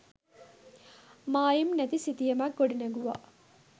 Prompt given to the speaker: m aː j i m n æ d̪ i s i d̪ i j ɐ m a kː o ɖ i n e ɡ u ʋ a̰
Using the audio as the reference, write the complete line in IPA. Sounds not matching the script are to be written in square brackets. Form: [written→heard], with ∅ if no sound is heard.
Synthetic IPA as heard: m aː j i m n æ [d̪→t̪] i s i [d̪→t̪] i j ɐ m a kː o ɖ i n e ɡ u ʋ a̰